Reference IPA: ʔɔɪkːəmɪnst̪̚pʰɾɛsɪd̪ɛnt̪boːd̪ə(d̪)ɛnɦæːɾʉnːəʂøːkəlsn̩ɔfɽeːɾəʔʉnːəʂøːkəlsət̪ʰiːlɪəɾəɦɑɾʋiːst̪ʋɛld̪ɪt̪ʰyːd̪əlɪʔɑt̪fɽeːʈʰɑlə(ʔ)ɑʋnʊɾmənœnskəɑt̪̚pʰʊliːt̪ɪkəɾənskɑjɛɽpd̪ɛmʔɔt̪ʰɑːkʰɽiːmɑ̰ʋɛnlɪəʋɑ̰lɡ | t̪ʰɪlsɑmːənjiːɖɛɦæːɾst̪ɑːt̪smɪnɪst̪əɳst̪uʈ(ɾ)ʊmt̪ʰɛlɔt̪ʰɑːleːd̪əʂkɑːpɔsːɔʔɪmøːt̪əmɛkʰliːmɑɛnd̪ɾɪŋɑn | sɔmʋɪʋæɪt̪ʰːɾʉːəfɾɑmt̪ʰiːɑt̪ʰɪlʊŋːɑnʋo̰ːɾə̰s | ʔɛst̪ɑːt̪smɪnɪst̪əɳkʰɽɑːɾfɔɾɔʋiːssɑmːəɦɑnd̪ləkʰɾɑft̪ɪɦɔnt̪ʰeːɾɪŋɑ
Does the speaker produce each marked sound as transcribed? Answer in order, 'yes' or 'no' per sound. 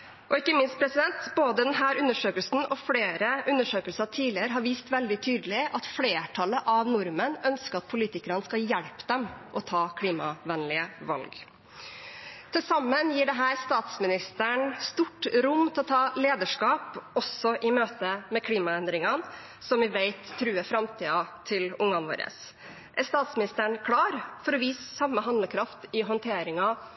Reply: yes, yes, yes

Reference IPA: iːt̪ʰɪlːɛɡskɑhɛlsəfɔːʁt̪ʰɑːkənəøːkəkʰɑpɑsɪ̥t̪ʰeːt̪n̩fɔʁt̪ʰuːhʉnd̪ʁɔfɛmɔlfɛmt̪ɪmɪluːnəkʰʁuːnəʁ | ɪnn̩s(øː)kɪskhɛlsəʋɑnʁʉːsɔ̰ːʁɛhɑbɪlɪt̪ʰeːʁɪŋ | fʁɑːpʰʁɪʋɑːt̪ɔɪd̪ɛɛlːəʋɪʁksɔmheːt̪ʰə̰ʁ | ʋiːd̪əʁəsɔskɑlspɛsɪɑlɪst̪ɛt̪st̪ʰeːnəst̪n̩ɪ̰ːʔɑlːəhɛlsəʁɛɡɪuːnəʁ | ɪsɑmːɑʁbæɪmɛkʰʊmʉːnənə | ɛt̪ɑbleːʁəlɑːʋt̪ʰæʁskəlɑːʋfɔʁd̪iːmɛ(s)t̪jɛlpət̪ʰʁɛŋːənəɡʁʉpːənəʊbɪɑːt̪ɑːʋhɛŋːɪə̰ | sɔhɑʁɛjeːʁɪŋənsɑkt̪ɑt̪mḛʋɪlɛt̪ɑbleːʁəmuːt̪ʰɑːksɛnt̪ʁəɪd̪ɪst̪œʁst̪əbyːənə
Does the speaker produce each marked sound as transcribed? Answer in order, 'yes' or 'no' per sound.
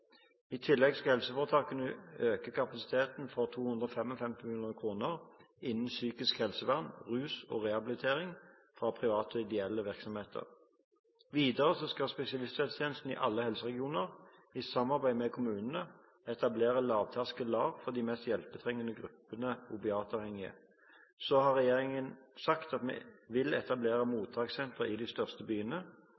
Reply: no, yes

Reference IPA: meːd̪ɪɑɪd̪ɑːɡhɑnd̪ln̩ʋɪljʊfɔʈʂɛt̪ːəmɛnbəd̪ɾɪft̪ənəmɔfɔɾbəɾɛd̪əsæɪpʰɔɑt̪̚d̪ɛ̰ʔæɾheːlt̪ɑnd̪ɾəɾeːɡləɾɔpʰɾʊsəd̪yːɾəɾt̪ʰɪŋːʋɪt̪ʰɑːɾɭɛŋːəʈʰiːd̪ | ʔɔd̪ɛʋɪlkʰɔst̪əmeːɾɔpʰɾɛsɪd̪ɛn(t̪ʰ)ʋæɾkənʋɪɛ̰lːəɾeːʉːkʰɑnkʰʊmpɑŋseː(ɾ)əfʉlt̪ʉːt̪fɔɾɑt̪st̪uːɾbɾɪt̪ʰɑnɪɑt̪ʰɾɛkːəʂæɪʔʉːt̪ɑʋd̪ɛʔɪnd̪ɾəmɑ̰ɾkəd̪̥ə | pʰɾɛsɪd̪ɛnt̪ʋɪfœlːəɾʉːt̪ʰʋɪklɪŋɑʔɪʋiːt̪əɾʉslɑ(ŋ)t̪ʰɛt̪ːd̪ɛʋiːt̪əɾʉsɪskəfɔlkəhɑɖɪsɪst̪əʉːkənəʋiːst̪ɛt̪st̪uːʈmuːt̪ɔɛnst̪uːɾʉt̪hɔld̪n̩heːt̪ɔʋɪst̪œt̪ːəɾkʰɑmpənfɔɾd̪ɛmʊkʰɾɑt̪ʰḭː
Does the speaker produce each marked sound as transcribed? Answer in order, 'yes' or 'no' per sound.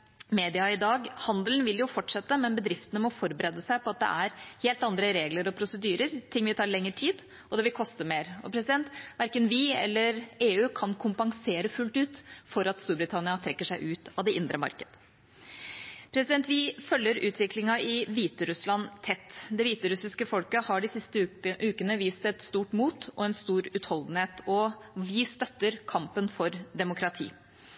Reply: no, yes, no

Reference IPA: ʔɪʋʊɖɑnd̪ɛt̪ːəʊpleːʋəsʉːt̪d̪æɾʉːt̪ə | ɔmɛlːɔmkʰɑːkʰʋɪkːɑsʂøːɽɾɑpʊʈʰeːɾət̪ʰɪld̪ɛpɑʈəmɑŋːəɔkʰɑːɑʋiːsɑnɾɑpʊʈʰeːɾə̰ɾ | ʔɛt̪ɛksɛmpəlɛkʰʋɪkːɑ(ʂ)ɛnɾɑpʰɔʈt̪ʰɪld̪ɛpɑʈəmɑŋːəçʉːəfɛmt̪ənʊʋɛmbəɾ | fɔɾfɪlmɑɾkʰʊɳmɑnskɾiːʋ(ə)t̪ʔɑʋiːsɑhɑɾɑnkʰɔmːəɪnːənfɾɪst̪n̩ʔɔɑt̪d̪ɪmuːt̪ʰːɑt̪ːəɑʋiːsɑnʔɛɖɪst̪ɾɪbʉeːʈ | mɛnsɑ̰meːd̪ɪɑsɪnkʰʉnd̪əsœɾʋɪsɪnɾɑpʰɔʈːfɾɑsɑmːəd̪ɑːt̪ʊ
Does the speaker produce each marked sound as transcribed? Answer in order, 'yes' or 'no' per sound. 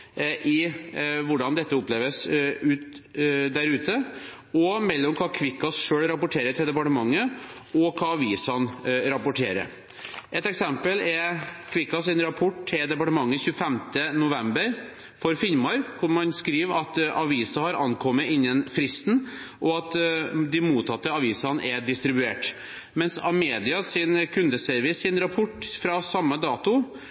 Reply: no, no

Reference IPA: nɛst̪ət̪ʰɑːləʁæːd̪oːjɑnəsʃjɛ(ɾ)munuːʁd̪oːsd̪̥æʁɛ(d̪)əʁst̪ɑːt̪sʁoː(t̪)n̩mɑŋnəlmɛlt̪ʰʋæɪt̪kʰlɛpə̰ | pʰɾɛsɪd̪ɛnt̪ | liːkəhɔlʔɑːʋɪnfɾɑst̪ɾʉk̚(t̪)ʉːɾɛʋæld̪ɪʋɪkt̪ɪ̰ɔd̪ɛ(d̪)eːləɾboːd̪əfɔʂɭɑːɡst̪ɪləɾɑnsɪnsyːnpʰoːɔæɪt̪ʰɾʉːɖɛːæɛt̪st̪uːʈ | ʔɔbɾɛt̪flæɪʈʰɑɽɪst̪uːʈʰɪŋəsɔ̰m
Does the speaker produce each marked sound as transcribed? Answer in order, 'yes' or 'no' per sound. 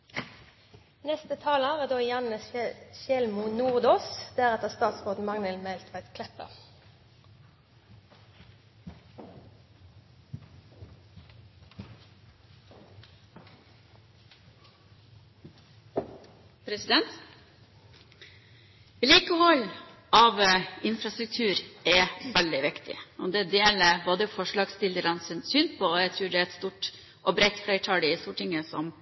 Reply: no, no, no, no, yes

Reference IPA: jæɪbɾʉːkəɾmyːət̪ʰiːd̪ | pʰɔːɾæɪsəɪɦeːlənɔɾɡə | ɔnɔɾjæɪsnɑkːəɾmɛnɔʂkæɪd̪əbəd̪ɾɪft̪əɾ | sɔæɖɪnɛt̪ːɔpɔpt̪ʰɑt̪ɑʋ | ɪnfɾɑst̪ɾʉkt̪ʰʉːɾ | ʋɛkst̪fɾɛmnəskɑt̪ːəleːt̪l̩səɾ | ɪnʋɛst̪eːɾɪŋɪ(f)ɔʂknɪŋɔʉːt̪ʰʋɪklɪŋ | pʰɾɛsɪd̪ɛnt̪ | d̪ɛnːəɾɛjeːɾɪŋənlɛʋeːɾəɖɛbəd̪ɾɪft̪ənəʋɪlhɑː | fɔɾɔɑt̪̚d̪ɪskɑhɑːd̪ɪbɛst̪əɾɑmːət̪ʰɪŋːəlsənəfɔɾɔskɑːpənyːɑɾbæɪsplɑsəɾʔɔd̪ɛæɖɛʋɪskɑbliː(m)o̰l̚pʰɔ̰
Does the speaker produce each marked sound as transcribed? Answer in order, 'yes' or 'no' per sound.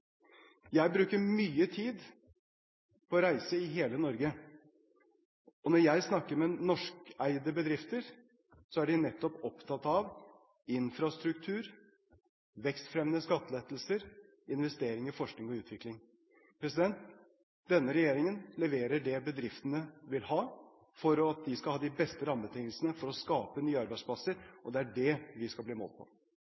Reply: yes, yes

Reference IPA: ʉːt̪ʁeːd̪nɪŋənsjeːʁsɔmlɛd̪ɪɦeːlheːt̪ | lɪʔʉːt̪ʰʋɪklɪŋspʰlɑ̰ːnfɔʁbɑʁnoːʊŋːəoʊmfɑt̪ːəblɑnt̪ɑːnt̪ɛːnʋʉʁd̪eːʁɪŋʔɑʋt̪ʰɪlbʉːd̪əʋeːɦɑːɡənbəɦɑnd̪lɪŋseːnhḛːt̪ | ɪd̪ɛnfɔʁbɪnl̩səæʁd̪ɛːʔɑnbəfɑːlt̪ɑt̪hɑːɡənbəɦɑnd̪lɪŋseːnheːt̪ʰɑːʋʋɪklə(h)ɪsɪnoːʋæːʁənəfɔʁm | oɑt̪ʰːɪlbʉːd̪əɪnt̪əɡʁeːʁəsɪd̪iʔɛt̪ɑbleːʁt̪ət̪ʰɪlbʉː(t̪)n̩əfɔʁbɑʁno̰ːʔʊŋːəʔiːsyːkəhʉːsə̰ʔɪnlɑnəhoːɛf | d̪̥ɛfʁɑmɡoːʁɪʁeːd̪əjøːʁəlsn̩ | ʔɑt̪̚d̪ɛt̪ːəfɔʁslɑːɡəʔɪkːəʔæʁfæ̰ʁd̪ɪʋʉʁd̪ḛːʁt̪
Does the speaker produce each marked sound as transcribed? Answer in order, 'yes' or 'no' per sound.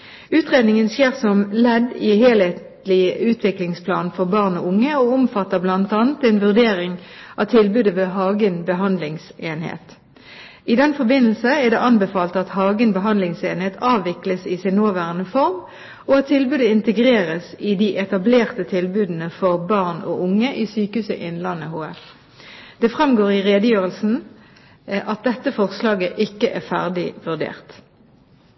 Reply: no, no

